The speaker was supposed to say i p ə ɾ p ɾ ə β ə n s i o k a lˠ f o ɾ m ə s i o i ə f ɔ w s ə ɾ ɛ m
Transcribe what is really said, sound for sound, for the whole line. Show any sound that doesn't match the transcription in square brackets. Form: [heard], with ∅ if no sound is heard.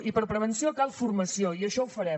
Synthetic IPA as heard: i p ə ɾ p ɾ ə β ə n s i o k a lˠ f [u] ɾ m ə s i o i ə [ʃ] ɔ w [f] ə ɾ ɛ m

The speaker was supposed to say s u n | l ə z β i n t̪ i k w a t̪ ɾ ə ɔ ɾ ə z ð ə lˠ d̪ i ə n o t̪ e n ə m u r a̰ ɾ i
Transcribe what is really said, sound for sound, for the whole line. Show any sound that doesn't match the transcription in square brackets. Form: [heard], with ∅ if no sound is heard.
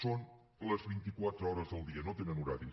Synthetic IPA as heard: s [o] n | l ə z β i n t̪ i k w a t̪ ɾ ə ɔ ɾ ə z ð ə lˠ d̪ i ə n o t̪ e n ə [n] u [ɾ] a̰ ɾ i

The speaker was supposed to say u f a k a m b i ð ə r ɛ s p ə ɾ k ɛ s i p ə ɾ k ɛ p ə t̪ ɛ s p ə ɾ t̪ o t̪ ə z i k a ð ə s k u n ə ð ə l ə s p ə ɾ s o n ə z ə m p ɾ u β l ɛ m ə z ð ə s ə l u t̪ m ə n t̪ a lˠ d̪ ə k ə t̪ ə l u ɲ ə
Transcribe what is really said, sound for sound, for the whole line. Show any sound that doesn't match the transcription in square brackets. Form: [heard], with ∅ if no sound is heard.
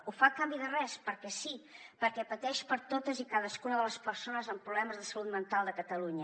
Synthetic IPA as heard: u f a k a m b i ð ə r ɛ s p ə ɾ k ɛ s i p ə ɾ k ɛ p ə t̪ ɛ [ʃ] p ə ɾ t̪ o t̪ ə z i k a ð ə s k u n ə ð ə l ə s p ə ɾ s o n ə z ə m p ɾ u β l ɛ m ə z ð ə s ə l u t̪ m ə n t̪ a lˠ d̪ ə k ə t̪ ə l u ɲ ə

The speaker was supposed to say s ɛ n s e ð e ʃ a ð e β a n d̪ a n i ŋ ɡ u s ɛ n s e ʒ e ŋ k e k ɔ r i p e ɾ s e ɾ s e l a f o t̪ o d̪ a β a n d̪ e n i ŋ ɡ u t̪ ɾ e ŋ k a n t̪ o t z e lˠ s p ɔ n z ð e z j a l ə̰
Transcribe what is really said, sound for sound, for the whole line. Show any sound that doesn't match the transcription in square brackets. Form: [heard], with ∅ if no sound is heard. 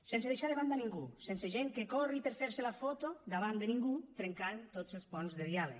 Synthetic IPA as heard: s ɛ n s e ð e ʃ a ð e β a n d̪ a n i ŋ ɡ u s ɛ n s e ʒ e ŋ k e k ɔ r i p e ɾ [f] e ɾ s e l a f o t̪ o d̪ a β a n d̪ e n i ŋ ɡ u t̪ ɾ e ŋ k a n t̪ o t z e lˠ s p ɔ n z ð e [ð] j a l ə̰

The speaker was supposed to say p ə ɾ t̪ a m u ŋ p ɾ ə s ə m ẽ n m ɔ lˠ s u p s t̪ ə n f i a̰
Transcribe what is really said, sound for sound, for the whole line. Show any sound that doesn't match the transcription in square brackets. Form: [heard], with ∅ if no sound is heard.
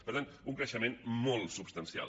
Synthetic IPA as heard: p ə ɾ t̪ a [n] u ŋ [k] ɾ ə [ʃ] ə m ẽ n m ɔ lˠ s u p s t̪ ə n [s] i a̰

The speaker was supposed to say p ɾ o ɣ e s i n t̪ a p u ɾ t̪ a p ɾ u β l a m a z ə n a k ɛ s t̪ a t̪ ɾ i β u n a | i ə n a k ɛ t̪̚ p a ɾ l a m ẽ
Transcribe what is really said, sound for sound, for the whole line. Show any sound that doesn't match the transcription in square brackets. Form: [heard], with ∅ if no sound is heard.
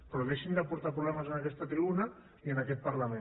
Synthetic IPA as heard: p ɾ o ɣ e [ʃ] i n [d̪] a p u ɾ t̪ a p ɾ u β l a m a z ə n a k ɛ s t̪ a t̪ ɾ i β u n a | i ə n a k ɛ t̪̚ p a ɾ l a m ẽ

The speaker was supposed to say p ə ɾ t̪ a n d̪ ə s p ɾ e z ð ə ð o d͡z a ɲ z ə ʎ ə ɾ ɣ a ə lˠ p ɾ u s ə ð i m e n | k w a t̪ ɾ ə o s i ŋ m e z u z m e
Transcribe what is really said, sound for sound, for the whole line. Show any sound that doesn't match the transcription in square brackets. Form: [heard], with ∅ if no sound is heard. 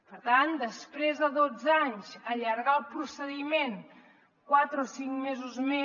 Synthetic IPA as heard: p ə ɾ t̪ a n d̪ ə s p ɾ e z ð ə ð o d͡z a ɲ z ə ʎ ə ɾ ɣ a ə lˠ p ɾ u s ə ð i m e n | k w a t̪ ɾ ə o s i ŋ m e z u z m e

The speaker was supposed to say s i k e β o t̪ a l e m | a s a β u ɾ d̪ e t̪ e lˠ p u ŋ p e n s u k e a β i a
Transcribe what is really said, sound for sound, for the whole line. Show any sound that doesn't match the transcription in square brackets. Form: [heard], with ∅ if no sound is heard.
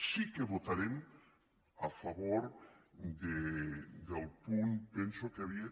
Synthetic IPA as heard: s i k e β o t̪ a [ɾ] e m | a [f] a β [o] ɾ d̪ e [d̪] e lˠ p u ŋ p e n s [o] k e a β i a

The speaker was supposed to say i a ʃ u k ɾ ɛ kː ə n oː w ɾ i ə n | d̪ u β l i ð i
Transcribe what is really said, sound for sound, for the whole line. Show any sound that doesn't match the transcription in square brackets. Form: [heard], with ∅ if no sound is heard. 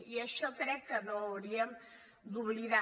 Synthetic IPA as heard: i [ə] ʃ [ɔ] k ɾ ɛ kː ə n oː w ɾ i ə [m] | d̪ u β l i ð [a]

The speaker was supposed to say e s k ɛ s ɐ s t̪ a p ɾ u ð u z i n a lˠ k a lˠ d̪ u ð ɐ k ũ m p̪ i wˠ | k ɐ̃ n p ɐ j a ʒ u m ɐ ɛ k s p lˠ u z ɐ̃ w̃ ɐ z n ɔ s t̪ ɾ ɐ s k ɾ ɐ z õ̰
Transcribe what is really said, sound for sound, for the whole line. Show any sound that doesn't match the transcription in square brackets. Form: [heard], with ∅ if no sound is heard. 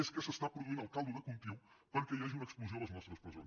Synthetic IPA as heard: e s k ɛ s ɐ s t̪ a p ɾ u ð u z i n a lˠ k a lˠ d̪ u ð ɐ k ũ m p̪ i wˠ | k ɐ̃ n [k] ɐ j a ʒ u m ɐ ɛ k s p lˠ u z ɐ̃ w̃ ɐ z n ɔ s t̪ ɾ ɐ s [p] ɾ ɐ z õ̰

